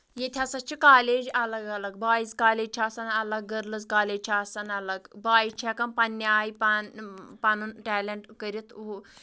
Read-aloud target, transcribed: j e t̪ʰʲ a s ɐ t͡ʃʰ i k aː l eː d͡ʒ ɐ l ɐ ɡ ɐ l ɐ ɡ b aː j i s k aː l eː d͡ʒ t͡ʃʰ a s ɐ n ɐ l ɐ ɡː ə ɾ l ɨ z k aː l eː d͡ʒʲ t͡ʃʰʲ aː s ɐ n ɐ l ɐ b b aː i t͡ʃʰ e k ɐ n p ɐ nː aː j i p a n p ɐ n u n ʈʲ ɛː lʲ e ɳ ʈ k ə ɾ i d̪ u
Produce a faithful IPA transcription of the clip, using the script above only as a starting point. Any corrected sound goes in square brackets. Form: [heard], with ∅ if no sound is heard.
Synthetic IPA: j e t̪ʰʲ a s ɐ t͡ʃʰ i k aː l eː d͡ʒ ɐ l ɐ ɡ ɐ l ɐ ɡ b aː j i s k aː l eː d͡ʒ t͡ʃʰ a s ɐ n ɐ l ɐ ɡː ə ɾ l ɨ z k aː l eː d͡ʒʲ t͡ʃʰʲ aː s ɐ n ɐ l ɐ [ɡ] b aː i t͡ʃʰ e k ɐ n p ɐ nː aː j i p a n p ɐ n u n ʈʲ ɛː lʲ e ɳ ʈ k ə ɾ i [t̪] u